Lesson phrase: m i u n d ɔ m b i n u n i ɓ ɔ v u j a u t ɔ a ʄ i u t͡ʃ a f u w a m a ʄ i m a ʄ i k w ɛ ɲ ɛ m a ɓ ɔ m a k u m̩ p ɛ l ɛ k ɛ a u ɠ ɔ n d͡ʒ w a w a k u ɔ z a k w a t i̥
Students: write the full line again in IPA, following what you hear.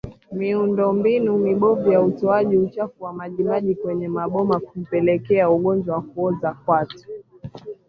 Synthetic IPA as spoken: m i u n d ɔ m b i n u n i ɓ ɔ v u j a u t ɔ a ʄ i u t͡ʃ a f u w a m a ʄ i m a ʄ i k w ɛ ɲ ɛ m a ɓ ɔ m a k u m̩ p ɛ l ɛ k ɛ a u ɠ ɔ n d͡ʒ w a w a k u ɔ z a k w a t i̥